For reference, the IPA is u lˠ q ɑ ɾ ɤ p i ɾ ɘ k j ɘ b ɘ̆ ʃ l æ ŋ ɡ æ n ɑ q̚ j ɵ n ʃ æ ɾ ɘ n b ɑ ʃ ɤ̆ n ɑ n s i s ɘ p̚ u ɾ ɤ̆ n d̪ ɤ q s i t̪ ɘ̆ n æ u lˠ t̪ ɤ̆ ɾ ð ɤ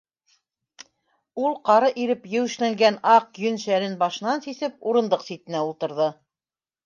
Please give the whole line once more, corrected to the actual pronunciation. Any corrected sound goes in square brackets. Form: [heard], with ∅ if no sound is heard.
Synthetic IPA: u lˠ q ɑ ɾ ɤ [ʔ] i ɾ ɘ [p] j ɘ [w] ɘ̆ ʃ l æ ŋ ɡ æ n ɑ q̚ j ɵ n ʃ æ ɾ ɘ n b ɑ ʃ ɤ̆ n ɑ n s i s ɘ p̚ u ɾ ɤ̆ n d̪ ɤ q s i t̪ ɘ̆ n æ u lˠ t̪ ɤ̆ ɾ ð ɤ